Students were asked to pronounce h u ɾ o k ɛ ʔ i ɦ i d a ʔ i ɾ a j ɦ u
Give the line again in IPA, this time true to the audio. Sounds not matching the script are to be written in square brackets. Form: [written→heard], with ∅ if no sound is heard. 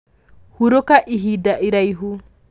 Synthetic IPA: h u ɾ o k [ɛ→a] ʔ i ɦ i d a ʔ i ɾ a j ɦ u